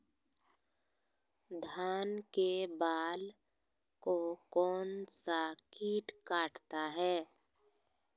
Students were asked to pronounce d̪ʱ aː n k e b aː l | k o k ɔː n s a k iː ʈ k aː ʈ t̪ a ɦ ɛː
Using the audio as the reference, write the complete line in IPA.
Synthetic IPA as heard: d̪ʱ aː n k e b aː l | k o k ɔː n s a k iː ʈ k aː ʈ t̪ a ɦ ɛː